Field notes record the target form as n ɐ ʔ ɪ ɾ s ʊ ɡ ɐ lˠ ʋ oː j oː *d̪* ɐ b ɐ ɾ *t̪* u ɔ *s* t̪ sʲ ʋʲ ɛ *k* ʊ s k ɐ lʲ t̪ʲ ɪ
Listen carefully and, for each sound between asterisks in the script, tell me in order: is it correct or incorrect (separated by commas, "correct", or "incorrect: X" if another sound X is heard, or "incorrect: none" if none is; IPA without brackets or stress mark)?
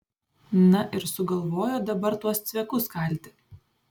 correct, correct, correct, correct